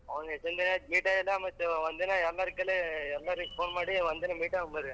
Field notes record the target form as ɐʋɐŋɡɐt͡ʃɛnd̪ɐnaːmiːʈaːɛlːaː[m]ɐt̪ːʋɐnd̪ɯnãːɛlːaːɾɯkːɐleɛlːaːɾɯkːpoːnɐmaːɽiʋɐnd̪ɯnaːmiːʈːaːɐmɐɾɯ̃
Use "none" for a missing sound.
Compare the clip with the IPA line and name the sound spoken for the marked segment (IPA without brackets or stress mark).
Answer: m